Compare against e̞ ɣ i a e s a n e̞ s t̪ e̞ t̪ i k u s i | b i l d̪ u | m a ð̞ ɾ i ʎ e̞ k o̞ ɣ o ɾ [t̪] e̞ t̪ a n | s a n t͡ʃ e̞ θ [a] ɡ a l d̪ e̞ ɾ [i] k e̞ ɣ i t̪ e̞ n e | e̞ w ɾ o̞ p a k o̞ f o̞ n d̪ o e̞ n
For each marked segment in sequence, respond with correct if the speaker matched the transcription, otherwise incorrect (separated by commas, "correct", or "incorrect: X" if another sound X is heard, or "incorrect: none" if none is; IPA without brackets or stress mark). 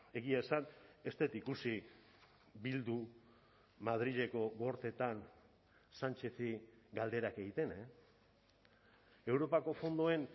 correct, incorrect: i, incorrect: a